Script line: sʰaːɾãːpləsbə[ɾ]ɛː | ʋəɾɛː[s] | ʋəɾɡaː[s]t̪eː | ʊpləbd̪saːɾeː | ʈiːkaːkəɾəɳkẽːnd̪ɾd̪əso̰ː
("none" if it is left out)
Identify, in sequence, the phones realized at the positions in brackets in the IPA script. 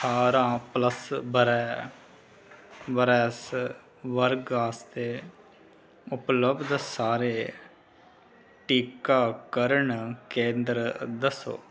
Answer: ɾ, s, s

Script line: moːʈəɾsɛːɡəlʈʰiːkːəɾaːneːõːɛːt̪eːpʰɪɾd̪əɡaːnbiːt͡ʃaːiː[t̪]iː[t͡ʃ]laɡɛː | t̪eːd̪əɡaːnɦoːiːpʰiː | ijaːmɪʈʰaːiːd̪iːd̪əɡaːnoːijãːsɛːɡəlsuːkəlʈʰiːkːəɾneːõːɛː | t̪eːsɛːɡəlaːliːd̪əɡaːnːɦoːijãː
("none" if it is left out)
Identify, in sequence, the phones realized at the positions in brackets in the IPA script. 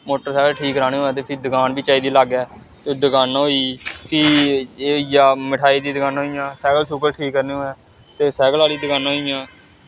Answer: d̪, none

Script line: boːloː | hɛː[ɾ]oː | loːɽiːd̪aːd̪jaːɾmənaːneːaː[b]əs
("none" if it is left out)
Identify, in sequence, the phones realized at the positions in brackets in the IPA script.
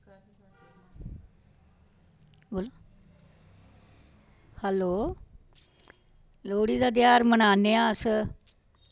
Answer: l, none

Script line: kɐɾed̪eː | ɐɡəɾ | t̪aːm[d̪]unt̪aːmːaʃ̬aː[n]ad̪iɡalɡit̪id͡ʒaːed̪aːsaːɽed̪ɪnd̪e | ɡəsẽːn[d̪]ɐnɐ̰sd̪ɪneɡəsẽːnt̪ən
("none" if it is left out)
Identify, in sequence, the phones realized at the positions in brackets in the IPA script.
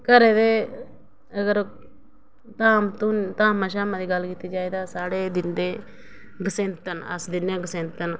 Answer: t̪, m, t̪

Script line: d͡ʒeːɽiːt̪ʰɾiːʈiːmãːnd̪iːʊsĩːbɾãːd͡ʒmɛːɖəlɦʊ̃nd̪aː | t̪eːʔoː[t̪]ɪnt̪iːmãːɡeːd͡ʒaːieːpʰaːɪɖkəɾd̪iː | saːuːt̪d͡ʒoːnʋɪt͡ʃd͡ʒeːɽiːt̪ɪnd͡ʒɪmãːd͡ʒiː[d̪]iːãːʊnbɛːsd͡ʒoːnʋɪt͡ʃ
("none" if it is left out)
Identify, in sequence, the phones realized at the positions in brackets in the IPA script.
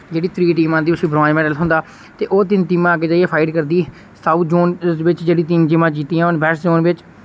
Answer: t̪, t̪

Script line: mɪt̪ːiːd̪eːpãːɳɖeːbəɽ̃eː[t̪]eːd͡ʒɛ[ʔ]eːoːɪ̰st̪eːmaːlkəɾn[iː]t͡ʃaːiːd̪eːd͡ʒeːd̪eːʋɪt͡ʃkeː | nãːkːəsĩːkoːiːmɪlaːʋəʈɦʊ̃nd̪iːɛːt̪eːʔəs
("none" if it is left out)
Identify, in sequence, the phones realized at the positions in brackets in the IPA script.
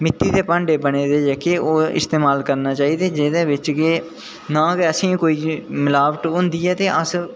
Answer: d̪, k, aː

